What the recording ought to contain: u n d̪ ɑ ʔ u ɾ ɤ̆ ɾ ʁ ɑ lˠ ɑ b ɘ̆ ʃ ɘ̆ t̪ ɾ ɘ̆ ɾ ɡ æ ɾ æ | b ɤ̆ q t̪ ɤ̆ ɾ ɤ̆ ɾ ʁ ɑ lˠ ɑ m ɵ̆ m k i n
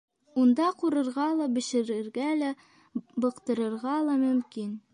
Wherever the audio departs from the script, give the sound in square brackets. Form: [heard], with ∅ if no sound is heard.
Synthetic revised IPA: u n d̪ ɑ [q] u ɾ ɤ̆ ɾ ʁ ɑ lˠ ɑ b ɘ̆ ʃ ɘ̆ [∅] ɾ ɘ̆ ɾ ɡ æ [l] æ | b ɤ̆ q t̪ ɤ̆ ɾ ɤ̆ ɾ ʁ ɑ lˠ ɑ m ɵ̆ m k i n